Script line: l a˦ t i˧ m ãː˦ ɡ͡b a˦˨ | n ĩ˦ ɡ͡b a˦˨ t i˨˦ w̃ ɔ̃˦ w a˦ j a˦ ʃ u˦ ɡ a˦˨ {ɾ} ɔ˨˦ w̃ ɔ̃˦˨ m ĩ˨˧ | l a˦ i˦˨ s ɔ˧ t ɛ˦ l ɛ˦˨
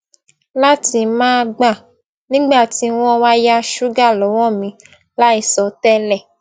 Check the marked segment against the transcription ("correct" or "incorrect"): incorrect